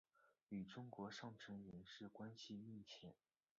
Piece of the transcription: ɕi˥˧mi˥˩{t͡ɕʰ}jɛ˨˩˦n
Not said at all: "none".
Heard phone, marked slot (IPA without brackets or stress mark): t͡ɕʰ